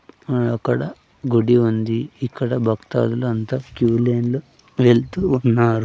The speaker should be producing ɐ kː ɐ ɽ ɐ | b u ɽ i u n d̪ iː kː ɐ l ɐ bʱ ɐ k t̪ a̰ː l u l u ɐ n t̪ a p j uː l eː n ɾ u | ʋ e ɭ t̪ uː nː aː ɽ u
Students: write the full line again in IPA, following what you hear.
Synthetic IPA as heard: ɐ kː ɐ ɽ ɐ | ɡ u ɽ i u n d̪ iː kː ɐ ɽ ɐ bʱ ɐ k t̪ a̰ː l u l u ɐ n t̪ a k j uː l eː n l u | ʋ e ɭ t̪ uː nː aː ɾ u